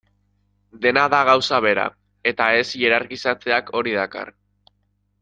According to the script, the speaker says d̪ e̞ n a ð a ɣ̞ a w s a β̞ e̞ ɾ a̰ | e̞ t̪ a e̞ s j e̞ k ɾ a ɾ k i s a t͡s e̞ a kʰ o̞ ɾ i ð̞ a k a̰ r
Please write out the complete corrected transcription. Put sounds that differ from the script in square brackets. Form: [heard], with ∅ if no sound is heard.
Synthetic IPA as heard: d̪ e̞ n a ð a ɣ̞ a w s a β̞ e̞ ɾ a̰ | e̞ t̪ a e̞ s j e̞ [∅] ɾ a ɾ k i s a t͡s e̞ a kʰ o̞ ɾ i ð̞ a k a̰ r